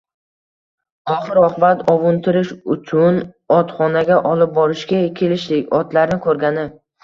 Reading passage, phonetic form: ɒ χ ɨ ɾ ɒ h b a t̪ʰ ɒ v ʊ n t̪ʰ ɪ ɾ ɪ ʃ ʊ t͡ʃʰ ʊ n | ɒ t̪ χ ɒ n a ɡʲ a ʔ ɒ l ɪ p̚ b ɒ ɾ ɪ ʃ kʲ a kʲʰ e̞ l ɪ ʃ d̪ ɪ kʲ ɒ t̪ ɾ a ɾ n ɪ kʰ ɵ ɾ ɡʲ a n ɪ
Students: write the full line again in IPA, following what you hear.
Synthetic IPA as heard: ɒ χ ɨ ɾ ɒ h b a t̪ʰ ɒ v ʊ n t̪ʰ ɪ ɾ ɪ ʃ ʊ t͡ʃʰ ʊ n | ɒ t̪ χ ɒ n a ɡʲ a ʔ ɒ l ɪ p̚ b ɒ ɾ ɪ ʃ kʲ a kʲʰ e̞ l ɪ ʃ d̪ ɪ kʲ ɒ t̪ l a ɾ n ɪ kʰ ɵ ɾ ɡʲ a n ɪ